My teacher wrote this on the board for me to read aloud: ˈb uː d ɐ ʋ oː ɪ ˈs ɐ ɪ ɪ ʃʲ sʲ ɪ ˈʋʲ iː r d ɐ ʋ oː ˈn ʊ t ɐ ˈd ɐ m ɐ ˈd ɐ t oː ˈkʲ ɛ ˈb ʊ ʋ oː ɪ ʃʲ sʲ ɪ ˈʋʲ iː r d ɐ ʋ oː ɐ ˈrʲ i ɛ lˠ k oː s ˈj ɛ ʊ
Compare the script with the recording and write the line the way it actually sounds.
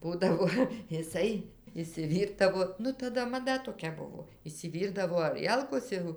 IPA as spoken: ˈb uː d ɐ ʋ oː ɪ ˈs ɐ ɪ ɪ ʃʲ sʲ ɪ ˈʋʲ iː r d ɐ ʋ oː ˈn ʊ t ɐ ˈd ɐ m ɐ ˈd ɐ t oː ˈkʲ ɛ ˈb ʊ ʋ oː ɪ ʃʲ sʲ ɪ ˈʋʲ iː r d ɐ ʋ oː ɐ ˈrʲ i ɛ lˠ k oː s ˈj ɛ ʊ